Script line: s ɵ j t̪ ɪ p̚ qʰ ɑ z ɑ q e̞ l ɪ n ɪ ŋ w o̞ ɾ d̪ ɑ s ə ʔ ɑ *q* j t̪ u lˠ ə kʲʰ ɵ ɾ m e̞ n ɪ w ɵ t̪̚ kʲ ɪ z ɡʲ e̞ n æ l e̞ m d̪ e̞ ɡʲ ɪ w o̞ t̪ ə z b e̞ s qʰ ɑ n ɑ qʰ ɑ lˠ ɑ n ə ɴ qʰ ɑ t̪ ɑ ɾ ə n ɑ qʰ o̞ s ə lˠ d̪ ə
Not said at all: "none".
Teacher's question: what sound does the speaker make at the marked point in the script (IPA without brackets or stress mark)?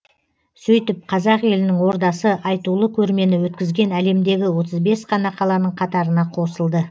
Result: none